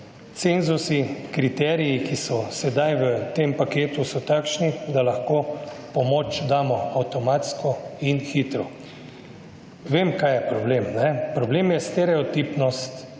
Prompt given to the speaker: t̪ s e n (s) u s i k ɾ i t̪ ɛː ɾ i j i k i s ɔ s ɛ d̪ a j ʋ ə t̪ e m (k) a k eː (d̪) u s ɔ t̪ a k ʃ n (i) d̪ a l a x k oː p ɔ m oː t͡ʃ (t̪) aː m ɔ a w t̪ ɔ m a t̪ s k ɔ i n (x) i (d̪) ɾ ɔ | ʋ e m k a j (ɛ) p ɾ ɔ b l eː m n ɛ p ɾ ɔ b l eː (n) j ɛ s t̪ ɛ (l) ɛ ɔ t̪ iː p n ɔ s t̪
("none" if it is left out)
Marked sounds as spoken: z, p, t̪, i, d̪, x, t̪, ɛ, m, ɾ

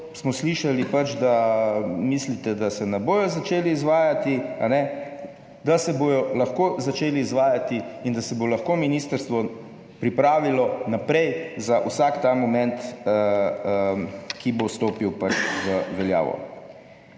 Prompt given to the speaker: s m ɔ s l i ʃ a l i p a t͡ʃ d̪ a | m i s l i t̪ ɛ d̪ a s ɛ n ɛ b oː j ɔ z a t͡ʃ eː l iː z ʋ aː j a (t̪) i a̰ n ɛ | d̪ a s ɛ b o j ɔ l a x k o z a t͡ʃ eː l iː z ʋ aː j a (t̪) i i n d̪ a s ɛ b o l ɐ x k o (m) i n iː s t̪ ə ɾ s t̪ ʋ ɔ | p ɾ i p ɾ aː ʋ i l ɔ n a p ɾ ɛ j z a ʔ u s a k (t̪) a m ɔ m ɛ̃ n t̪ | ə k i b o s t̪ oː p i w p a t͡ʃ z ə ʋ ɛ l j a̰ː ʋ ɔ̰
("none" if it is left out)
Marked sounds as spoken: t̪, t̪, m, t̪

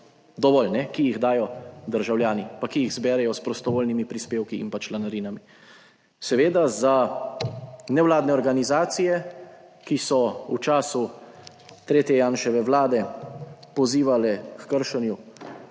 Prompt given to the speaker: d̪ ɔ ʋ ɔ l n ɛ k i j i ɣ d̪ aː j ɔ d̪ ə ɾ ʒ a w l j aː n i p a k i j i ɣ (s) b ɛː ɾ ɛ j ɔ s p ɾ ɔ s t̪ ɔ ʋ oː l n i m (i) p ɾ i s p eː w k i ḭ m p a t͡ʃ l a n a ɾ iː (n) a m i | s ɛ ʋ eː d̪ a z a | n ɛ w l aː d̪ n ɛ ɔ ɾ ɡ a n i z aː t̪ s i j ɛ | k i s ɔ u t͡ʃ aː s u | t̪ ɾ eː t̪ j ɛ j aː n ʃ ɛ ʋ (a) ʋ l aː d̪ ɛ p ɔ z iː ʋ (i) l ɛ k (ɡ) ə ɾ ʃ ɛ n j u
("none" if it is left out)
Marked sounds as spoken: z, i, n, ɛ, a, k

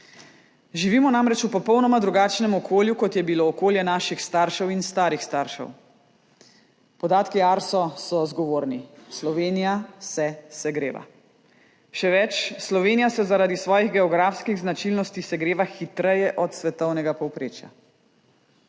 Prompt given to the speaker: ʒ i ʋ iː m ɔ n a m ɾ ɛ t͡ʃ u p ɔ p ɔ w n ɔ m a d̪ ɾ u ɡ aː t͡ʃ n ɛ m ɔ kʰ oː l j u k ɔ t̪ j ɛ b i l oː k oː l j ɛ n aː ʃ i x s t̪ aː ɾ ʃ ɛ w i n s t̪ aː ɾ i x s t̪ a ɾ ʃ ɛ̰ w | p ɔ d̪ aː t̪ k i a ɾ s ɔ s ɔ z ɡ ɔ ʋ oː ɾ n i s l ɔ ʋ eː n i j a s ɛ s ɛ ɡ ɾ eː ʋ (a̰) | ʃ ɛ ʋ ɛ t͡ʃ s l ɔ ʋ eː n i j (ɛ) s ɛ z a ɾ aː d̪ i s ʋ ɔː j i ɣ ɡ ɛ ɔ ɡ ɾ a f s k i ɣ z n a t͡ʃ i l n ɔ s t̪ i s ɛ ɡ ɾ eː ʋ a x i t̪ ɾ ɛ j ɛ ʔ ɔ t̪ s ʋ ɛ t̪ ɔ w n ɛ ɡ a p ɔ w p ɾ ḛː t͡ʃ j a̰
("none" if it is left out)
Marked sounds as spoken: a̰, a

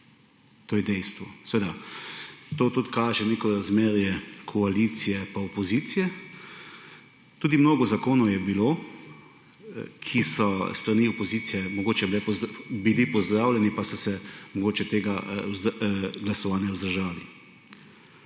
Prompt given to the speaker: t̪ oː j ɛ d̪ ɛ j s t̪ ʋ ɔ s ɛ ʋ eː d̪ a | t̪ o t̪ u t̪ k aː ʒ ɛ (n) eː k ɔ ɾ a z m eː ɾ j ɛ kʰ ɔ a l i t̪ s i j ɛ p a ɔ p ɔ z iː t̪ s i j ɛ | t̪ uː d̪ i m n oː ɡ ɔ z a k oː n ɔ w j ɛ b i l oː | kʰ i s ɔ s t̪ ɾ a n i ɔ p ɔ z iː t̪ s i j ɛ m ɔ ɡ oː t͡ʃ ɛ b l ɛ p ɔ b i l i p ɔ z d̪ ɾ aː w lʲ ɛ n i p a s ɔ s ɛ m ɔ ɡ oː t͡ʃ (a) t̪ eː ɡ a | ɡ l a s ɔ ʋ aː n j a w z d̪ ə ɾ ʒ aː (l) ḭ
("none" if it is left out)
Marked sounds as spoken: n, ɛ, l

